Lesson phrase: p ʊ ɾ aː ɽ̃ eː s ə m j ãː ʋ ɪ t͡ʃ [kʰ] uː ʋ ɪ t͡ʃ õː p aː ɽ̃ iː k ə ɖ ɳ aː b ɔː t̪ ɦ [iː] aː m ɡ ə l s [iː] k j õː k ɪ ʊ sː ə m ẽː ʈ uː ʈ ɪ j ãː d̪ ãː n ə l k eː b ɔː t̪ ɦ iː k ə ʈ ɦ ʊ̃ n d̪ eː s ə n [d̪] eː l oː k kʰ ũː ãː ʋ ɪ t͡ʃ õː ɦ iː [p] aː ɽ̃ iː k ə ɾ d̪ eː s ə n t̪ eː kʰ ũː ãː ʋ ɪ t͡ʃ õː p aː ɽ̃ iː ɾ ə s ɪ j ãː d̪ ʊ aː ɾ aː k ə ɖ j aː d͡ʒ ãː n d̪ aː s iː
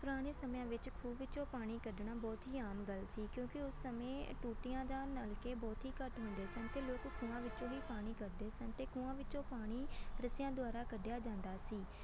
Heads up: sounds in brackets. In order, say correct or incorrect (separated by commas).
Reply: correct, correct, correct, incorrect, correct